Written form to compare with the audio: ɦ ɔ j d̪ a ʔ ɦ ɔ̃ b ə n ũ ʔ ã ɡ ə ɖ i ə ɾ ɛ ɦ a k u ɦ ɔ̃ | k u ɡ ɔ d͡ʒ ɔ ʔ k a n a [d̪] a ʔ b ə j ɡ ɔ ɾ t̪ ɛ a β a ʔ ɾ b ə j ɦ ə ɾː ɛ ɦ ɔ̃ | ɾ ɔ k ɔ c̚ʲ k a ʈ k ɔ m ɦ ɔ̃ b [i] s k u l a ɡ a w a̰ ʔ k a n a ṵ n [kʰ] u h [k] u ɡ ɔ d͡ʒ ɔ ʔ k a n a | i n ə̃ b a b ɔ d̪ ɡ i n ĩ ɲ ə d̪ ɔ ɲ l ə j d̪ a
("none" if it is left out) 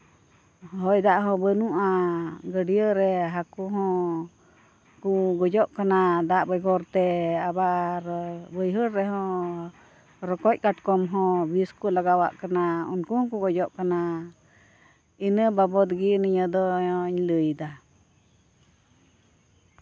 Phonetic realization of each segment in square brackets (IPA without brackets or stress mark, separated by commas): d̪, i, k, k